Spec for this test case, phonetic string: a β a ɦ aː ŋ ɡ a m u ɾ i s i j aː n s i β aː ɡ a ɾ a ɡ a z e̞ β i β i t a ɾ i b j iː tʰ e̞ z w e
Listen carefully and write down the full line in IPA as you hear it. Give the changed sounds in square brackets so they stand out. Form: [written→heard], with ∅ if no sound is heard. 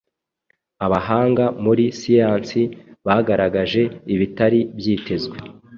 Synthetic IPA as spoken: a β a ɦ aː ŋ ɡ a m u ɾ i s i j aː n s i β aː ɡ a ɾ a ɡ a [z→ʒ] e̞ [β→∅] i β i t a ɾ i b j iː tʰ e̞ z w e